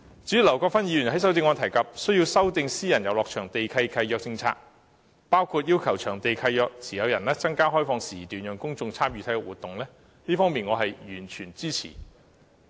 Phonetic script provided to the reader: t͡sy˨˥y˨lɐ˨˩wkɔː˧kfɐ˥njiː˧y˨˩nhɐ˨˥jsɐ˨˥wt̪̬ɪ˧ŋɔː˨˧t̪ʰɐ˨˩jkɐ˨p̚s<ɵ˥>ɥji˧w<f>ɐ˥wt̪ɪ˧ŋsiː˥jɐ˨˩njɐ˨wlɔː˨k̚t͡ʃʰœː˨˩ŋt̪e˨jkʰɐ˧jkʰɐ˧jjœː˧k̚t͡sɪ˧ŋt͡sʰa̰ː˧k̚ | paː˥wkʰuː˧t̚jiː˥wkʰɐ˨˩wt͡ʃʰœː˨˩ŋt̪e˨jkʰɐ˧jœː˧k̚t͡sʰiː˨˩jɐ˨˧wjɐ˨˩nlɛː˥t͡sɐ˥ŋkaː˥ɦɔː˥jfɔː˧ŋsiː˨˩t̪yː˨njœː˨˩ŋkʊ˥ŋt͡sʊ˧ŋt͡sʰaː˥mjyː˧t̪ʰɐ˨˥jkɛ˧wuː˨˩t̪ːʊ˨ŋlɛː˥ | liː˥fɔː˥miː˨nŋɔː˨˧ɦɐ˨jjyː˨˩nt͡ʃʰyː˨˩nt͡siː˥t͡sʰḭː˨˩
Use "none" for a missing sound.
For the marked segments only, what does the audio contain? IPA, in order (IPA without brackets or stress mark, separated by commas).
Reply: ɵ˥, s